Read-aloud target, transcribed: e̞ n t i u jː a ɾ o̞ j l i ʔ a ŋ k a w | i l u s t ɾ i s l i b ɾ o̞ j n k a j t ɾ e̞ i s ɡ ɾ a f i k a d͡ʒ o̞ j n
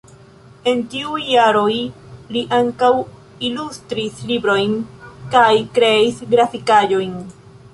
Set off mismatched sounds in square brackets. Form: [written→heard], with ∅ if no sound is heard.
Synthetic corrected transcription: e̞ n t i u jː a ɾ o̞ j l i ʔ a ŋ k a w | i l u s t ɾ i s l i b ɾ o̞ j n k a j [t→k] ɾ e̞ i s ɡ ɾ a f i k a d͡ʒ o̞ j n